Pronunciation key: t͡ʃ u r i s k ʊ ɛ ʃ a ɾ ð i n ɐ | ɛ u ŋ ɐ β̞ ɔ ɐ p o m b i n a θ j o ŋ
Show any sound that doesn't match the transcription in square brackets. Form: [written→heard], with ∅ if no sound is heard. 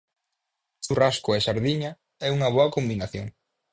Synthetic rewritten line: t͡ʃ u r [i→a] s k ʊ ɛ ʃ a ɾ ð i [n→ɲ] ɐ | ɛ u ŋ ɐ β̞ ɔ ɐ [p→k] o m b i n a θ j o ŋ